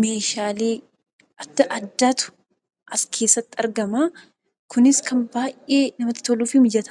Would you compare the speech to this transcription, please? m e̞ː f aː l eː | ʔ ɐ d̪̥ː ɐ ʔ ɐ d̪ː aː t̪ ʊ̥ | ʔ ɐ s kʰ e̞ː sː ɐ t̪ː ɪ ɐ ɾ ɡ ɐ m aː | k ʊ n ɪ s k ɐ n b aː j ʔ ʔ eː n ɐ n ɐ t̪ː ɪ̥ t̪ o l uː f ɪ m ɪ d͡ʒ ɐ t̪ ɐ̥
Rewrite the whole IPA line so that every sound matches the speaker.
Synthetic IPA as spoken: m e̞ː ʃ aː l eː | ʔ ɐ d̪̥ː ɐ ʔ ɐ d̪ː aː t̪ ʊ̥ | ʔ ɐ s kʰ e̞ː sː ɐ t̪ː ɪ ɐ ɾ ɡ ɐ m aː | k ʊ n ɪ s k ɐ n b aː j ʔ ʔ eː n ɐ m ɐ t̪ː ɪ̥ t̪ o l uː f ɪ m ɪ d͡ʒ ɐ t̪ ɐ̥